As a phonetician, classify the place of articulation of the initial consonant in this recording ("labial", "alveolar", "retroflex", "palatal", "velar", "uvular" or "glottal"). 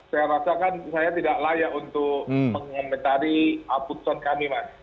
alveolar